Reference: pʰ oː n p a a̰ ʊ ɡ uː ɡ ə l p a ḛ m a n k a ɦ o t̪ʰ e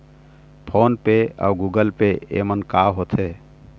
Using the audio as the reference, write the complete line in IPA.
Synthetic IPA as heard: pʰ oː n p e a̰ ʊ ɡ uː ɡ ə l p e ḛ m ə n k a ɦ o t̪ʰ e